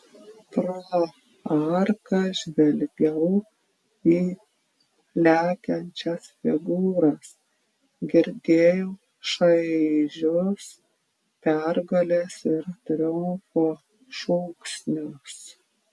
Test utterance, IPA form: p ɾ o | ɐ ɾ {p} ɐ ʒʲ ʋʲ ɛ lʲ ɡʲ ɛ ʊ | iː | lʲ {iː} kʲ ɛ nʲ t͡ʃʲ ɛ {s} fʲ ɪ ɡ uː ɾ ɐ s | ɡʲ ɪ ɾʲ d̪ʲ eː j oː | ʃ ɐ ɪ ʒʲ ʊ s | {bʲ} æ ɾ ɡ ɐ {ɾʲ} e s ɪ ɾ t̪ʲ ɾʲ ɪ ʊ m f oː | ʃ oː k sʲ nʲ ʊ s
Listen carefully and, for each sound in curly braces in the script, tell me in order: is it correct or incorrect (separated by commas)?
incorrect, incorrect, correct, incorrect, incorrect